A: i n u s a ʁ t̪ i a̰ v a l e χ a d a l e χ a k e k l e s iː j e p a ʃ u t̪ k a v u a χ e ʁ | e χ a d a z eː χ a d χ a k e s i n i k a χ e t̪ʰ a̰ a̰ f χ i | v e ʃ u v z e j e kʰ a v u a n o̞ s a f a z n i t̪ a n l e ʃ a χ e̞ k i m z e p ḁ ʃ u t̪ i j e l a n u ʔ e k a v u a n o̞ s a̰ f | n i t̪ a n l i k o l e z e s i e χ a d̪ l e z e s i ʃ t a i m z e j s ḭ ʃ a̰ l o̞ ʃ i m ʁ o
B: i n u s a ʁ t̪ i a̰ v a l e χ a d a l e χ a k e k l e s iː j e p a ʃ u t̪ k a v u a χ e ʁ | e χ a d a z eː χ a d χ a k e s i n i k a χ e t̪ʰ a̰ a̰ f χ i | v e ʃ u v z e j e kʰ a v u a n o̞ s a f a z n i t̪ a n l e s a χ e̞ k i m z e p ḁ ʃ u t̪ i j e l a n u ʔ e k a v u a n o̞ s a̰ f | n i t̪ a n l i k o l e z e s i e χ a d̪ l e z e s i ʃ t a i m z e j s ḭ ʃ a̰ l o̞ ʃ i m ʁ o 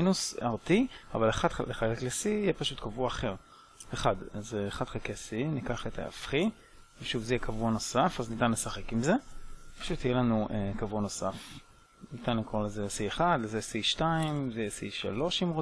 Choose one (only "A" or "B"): B